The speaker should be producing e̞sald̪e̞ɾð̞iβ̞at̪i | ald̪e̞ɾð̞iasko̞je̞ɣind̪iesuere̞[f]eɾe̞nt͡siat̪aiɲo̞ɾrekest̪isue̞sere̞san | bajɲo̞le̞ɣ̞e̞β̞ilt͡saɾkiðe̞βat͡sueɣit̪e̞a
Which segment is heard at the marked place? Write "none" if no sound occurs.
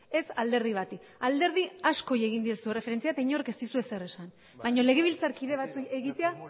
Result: f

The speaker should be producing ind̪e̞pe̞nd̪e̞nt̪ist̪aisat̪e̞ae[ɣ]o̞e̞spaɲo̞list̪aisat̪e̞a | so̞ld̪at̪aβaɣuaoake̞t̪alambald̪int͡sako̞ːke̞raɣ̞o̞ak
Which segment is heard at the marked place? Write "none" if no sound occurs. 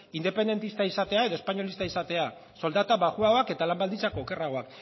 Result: ð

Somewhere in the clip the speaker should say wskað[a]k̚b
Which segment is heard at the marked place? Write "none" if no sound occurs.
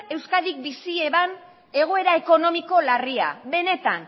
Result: i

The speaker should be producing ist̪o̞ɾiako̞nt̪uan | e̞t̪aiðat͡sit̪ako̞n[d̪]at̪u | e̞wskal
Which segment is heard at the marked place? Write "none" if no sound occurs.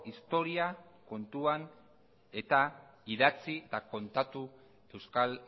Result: t̪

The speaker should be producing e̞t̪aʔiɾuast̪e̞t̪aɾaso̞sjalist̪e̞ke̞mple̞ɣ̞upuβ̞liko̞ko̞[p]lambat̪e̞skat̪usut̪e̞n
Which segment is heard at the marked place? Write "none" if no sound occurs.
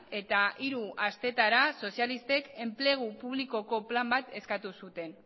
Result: p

